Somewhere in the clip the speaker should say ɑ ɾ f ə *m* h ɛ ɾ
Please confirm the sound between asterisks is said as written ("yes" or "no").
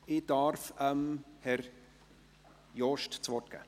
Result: yes